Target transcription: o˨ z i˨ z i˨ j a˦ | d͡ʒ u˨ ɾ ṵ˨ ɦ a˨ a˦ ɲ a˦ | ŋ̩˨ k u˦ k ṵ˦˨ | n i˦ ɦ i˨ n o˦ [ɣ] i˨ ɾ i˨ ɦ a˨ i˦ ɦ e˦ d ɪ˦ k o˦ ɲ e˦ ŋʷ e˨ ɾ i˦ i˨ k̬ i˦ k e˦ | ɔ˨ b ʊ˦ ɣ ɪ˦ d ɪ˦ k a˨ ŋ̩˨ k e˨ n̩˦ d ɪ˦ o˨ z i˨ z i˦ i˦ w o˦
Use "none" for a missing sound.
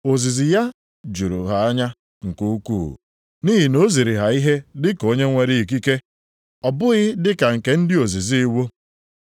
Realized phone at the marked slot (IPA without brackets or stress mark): z